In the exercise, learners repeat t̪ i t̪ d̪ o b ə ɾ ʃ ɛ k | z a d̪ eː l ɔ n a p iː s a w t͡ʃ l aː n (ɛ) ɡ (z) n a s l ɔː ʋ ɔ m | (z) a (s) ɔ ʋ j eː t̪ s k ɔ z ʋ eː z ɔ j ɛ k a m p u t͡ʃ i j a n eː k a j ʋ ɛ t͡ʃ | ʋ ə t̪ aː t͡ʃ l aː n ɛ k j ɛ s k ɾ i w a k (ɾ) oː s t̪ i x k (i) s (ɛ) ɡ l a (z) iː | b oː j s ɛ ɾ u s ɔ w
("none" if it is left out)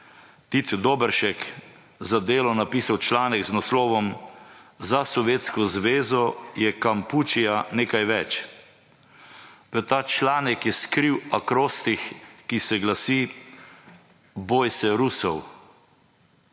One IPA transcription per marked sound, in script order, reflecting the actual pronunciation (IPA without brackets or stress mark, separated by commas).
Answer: ɛ, z, z, s, ɾ, i, ɛ, s